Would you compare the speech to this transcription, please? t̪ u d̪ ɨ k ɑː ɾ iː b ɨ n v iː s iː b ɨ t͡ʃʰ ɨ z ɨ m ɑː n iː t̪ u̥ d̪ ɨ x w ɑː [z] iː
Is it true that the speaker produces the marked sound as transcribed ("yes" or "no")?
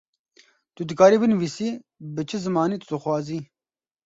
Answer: yes